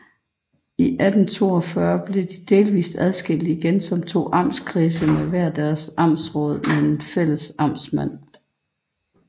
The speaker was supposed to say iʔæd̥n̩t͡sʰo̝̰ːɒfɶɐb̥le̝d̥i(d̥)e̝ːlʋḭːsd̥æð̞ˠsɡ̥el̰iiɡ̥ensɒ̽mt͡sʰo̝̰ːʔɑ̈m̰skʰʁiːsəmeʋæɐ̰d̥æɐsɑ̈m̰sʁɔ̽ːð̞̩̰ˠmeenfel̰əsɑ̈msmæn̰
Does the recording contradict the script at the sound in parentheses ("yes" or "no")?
no